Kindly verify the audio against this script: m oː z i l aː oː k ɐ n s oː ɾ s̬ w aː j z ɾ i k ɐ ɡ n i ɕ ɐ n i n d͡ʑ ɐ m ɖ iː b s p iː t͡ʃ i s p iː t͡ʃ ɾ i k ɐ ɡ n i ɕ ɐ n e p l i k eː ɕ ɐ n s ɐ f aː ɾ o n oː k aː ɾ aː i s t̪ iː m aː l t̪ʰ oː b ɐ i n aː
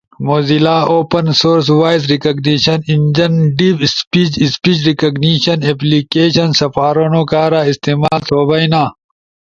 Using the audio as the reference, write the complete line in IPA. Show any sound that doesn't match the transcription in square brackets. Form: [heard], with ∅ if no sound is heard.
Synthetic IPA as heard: m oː z i l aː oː [p] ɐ n s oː ɾ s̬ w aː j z ɾ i k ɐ ɡ n i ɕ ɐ n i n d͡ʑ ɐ [n] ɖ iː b s p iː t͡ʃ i s p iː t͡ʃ ɾ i k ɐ ɡ n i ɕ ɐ n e p l i k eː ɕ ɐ n s ɐ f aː ɾ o n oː k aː ɾ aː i s t̪ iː m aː l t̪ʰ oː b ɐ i n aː

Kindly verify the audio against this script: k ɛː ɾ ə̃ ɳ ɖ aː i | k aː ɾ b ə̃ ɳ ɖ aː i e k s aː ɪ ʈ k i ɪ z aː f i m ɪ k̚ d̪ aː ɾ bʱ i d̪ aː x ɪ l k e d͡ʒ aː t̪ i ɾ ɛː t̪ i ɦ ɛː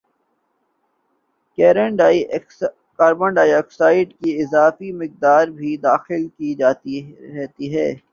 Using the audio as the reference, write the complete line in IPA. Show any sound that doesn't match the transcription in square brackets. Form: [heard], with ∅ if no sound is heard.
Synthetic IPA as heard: k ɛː ɾ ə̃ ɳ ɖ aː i | k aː ɾ b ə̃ ɳ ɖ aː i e k s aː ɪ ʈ k i ɪ z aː f i m ɪ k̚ d̪ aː ɾ bʱ i d̪ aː x ɪ l k [i] d͡ʒ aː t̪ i ɾ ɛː t̪ i ɦ ɛː

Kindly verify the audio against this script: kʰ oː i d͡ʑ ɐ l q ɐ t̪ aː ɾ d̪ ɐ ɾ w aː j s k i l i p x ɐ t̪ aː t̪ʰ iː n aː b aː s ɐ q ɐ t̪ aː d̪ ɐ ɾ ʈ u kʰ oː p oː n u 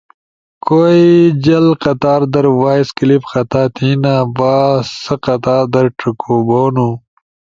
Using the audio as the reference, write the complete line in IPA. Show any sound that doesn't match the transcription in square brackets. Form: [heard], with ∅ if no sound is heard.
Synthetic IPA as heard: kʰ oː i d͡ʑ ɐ l q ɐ t̪ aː ɾ d̪ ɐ ɾ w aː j s k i l i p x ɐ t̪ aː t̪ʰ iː n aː b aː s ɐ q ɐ t̪ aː d̪ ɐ ɾ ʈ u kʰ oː [b] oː n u

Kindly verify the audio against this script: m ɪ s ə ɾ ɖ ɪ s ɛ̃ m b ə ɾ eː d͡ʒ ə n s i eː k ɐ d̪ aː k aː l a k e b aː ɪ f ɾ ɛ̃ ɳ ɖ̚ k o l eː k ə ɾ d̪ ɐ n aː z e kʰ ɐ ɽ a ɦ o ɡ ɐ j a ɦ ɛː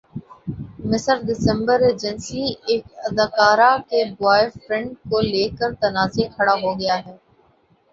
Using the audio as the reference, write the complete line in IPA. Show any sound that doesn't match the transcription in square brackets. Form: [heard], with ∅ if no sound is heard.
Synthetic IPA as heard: m ɪ s ə ɾ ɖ ɪ s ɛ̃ m b ə ɾ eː d͡ʒ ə n s i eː k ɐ d̪ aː k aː [ɾ] a k e b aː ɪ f ɾ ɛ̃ ɳ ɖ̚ k o l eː k ə ɾ [t̪] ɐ n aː z e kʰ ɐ ɽ a ɦ o ɡ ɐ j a ɦ ɛː

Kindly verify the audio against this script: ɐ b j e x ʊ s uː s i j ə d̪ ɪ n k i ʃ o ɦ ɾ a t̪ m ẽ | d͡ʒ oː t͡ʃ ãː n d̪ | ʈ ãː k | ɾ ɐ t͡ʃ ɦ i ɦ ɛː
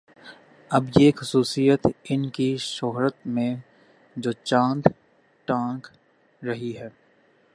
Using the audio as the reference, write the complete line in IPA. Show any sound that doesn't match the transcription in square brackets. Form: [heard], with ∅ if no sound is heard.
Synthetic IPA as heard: ɐ b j e x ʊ s uː s i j ə [t̪] ɪ n k i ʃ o ɦ ɾ [ə] t̪ m ẽ | d͡ʒ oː t͡ʃ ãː n d̪ | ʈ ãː k | ɾ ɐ [∅] ɦ i ɦ ɛː

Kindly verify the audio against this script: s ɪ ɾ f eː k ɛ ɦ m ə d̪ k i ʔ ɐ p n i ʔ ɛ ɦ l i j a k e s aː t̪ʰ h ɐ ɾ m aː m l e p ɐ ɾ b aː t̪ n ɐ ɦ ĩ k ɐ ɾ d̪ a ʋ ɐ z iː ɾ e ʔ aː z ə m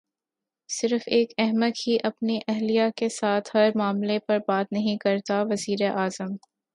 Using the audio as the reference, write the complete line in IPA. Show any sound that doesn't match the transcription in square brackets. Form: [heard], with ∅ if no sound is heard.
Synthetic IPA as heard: s ɪ ɾ f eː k ɛ ɦ m ə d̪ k i ʔ ɐ p n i ʔ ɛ ɦ l i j a k e s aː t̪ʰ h ɐ ɾ m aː m l e p ɐ ɾ b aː t̪ n ɐ ɦ ĩ k ɐ ɾ [t̪] a ʋ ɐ z iː ɾ e ʔ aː z ə m

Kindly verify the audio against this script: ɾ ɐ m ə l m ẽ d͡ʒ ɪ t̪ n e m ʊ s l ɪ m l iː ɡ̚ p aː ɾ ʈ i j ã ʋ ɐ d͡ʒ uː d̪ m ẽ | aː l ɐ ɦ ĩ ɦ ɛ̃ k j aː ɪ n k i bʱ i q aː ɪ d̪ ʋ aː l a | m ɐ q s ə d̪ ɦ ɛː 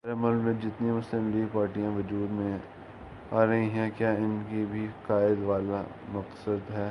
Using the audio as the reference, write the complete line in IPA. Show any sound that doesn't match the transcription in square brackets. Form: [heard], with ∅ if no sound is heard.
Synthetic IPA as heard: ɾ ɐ m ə l m ẽ d͡ʒ ɪ t̪ n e m ʊ s l ɪ m l iː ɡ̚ p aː ɾ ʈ i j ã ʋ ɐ d͡ʒ uː d̪ m ẽ | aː [ɾ] ɐ ɦ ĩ ɦ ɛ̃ k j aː ɪ n k i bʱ i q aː ɪ d̪ ʋ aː l a | m ɐ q s ə d̪ ɦ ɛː

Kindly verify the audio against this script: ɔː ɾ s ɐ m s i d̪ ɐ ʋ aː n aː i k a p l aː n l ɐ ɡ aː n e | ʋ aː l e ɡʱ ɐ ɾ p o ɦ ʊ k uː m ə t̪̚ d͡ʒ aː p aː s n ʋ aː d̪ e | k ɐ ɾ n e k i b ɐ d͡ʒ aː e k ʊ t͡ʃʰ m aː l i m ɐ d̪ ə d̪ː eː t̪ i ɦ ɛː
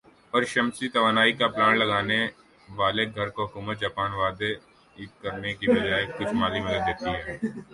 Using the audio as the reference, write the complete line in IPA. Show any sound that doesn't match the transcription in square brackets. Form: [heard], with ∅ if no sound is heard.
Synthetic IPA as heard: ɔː ɾ [ʃ] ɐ m s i [t̪] ɐ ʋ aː n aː i k a p l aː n l ɐ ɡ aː n e | ʋ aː l e ɡʱ ɐ ɾ [k] o ɦ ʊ k uː m ə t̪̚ d͡ʒ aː p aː [∅] n ʋ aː d̪ e | k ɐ ɾ n e k i b ɐ d͡ʒ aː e k ʊ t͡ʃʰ m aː l i m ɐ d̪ ə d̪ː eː t̪ i ɦ ɛː

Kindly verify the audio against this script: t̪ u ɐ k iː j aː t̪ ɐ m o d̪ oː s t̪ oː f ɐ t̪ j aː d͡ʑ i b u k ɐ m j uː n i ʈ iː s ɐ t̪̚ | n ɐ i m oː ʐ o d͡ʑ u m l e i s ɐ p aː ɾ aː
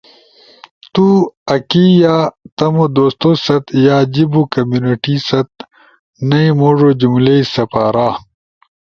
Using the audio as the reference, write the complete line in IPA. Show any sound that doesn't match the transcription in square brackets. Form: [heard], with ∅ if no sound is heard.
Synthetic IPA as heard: t̪ u ɐ k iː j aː t̪ ɐ m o d̪ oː s t̪ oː [s] ɐ t̪ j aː d͡ʑ i b u k ɐ m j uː n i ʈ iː s ɐ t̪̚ | n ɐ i m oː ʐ o d͡ʑ u m l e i s ɐ p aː ɾ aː

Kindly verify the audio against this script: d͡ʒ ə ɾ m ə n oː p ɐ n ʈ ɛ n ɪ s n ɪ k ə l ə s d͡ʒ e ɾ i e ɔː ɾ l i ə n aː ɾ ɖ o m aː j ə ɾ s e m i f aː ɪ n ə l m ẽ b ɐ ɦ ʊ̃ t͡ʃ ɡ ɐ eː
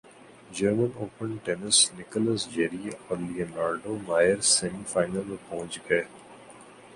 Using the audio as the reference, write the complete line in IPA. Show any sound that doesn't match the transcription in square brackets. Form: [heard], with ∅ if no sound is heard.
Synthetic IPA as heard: d͡ʒ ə ɾ m ə n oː p [ə] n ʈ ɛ n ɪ s n ɪ k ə l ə s d͡ʒ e ɾ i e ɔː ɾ l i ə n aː ɾ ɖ o m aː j ə ɾ s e m i f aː ɪ n ə l m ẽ [p] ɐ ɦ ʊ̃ t͡ʃ ɡ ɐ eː

